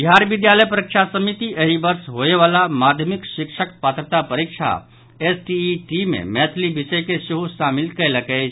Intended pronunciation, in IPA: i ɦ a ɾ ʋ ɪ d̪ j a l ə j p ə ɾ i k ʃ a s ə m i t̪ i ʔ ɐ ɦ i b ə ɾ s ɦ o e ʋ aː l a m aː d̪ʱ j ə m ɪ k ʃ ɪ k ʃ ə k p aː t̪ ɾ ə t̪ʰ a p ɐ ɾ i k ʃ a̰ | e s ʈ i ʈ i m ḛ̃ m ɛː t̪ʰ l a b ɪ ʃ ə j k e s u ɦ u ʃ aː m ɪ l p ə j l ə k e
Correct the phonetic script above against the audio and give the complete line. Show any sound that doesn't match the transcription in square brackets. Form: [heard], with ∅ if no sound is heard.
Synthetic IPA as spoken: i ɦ a ɾ ʋ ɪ d̪ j a l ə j p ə ɾ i k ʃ a s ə m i t̪ i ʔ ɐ ɦ i b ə ɾ s ɦ o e ʋ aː l a m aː d̪ʱ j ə m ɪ k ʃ ɪ k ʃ ə k p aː t̪ ɾ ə [t̪] a p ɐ ɾ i k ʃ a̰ | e s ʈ i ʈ i m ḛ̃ m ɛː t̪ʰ l [i] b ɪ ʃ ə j k e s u ɦ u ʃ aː m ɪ l [k] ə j l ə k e

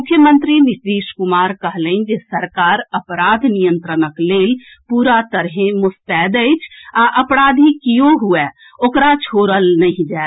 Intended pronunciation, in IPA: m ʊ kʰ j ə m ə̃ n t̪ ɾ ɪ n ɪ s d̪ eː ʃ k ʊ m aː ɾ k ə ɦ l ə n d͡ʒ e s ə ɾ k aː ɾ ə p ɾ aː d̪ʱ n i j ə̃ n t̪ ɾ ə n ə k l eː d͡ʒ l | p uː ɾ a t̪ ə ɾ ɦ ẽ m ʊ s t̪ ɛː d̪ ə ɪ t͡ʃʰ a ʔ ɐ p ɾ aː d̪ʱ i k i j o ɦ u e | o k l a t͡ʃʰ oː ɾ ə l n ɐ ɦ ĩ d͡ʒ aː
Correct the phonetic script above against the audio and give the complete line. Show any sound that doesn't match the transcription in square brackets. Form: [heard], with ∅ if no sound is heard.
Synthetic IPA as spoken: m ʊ kʰ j ə m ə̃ n t̪ ɾ [i] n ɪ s d̪ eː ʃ k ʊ m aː ɾ k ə ɦ l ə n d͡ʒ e s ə ɾ k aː ɾ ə p ɾ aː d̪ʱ n i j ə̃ n t̪ ɾ ə n ə k l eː [∅] l | p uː ɾ a t̪ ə ɾ ɦ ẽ m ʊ s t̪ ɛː d̪ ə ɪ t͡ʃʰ a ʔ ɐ p ɾ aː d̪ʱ i k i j o ɦ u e | o k [ɾ] a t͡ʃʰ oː ɾ ə l n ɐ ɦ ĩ d͡ʒ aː

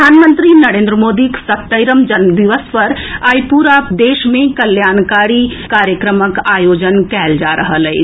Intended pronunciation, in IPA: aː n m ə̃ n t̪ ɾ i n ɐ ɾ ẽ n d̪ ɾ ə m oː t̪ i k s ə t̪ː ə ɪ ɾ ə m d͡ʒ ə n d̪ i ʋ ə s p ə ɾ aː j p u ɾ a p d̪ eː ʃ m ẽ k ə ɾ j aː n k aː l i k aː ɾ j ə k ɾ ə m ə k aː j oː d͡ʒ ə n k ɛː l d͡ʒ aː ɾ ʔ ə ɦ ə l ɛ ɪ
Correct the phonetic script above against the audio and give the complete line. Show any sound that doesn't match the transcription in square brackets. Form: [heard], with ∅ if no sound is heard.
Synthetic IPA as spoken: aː n m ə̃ n t̪ ɾ i n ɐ ɾ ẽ n d̪ ɾ ə m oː [d̪] i k s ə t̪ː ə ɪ ɾ ə m d͡ʒ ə n d̪ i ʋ ə s p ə ɾ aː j p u ɾ a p d̪ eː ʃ m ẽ k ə [l] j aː n k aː [ɾ] i k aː ɾ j ə k ɾ ə m ə k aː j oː d͡ʒ ə n k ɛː l d͡ʒ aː ɾ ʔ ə ɦ ə l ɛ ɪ

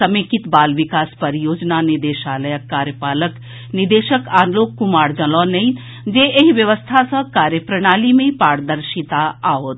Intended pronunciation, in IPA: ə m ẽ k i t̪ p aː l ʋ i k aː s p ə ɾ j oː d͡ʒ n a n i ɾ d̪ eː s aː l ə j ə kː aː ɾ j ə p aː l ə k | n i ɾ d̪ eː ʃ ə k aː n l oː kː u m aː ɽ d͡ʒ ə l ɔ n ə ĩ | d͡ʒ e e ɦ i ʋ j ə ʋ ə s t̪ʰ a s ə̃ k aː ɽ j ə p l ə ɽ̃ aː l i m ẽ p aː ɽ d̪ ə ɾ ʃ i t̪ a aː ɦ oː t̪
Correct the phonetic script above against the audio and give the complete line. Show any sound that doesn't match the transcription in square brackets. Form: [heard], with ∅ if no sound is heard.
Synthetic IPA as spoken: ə m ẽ k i t̪ [b] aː l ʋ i k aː s p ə ɾ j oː d͡ʒ n a n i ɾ d̪ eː [ʃ] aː l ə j ə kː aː ɾ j ə p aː l ə k | n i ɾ d̪ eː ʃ ə k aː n l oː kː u m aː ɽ d͡ʒ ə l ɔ n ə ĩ | d͡ʒ e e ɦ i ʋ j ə ʋ ə s t̪ʰ a s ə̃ k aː [ɾ] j ə p [ɾ] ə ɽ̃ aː l i m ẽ p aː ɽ d̪ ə ɾ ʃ i t̪ a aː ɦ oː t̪

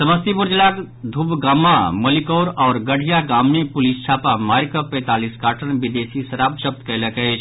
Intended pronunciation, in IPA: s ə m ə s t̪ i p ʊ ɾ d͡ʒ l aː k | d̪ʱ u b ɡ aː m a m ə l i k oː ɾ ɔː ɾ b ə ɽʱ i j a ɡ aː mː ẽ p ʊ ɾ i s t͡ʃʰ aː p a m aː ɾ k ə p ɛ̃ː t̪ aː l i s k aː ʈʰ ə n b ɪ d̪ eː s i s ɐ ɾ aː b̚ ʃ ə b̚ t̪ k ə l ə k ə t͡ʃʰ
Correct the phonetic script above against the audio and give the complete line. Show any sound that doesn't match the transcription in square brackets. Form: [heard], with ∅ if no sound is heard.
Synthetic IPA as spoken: s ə m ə s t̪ i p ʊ ɾ d͡ʒ l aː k | d̪ʱ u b ɡ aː m a m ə l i k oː ɾ ɔː ɾ [ɡ] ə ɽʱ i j a ɡ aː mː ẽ p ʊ [l] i s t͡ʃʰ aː p a m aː ɾ k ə p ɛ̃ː t̪ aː l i s k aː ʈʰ ə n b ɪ d̪ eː s i s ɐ ɾ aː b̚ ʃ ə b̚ t̪ k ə l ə k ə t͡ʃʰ

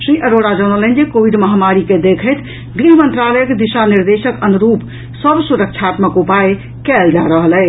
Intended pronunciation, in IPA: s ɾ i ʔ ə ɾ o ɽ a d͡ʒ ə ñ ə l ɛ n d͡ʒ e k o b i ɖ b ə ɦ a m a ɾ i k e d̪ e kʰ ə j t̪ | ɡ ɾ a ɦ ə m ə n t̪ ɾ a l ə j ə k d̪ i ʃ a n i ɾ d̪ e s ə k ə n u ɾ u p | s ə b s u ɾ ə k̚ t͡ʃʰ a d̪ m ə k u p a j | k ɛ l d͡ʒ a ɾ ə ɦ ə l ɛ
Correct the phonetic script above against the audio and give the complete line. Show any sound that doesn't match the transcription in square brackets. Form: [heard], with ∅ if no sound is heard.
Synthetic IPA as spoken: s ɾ i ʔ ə ɾ o ɽ a d͡ʒ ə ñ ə l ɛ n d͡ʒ e k o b i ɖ [m] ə ɦ a m a ɾ i k e d̪ e kʰ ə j t̪ | ɡ ɾ [i] ɦ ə m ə n t̪ ɾ a l ə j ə k d̪ i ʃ a n i ɾ d̪ e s ə k ə n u ɾ u p | s ə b s u ɾ ə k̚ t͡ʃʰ a [t̪] m ə k u p a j | k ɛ l d͡ʒ a ɾ ə ɦ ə l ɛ

